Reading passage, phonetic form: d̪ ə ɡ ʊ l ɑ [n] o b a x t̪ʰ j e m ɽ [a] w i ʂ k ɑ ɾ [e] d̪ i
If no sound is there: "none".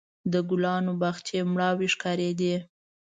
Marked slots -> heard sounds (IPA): n, ɑ, e

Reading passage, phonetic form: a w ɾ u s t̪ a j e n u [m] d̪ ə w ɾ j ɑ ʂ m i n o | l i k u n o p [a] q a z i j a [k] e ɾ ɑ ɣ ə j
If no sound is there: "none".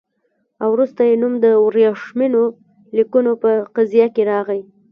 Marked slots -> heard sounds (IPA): m, ə, k

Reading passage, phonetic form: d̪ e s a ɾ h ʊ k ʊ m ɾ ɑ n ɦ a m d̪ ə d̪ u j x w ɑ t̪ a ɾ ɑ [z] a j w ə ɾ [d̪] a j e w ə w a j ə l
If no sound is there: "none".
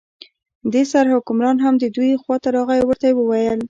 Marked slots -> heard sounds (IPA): ɣ, t̪

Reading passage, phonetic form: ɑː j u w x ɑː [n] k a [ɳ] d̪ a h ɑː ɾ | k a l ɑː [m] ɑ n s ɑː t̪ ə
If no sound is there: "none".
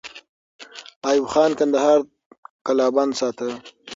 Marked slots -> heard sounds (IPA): n, n, b

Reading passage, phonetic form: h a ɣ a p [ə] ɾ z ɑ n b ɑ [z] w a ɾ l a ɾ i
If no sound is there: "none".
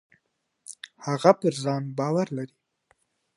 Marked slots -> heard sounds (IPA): ə, none

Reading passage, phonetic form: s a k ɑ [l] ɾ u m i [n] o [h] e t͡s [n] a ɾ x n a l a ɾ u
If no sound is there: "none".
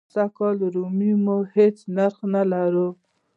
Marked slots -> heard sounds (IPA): l, m, h, n

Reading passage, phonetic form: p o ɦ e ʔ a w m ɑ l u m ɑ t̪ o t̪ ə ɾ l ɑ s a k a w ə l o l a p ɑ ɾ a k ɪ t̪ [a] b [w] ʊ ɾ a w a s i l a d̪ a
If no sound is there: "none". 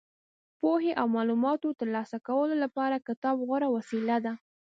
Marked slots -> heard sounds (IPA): ɑ, ɣ

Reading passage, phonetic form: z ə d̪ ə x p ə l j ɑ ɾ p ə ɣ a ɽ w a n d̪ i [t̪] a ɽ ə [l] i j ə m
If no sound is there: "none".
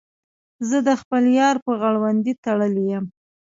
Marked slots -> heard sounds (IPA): t̪, l

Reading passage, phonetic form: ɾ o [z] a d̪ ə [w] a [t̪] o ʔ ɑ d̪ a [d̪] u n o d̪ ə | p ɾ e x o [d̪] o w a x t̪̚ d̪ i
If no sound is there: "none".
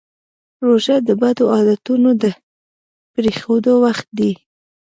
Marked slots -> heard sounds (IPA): ʒ, b, d̪, t̪, d̪

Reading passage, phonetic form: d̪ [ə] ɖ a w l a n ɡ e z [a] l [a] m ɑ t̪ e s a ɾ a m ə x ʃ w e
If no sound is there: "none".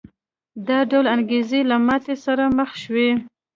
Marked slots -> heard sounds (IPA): ɑ, e, a

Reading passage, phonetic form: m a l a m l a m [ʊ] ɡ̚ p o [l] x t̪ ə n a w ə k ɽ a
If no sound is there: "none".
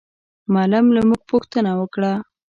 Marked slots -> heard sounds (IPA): u, none

